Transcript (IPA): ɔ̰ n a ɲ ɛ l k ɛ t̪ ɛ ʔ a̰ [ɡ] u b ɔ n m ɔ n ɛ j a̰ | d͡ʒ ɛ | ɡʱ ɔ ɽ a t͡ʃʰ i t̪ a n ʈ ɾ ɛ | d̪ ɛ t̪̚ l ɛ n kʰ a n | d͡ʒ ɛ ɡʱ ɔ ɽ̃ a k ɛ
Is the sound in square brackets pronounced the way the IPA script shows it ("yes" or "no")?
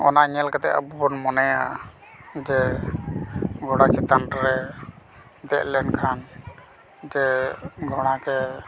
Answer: no